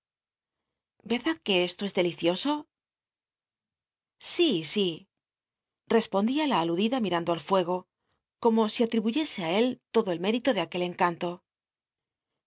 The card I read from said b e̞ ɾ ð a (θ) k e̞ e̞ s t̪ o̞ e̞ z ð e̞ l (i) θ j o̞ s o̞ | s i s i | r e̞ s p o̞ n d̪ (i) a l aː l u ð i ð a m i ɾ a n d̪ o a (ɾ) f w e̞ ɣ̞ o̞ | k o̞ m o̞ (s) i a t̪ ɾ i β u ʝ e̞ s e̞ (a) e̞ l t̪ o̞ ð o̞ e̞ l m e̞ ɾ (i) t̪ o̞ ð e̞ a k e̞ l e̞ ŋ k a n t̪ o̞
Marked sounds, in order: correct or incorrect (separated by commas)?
incorrect, correct, correct, incorrect, correct, correct, correct